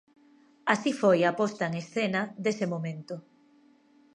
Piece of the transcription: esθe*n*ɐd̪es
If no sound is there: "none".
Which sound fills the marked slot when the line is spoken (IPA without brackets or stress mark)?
n